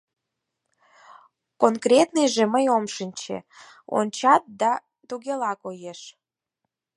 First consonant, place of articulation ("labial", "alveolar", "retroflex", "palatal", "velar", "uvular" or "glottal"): velar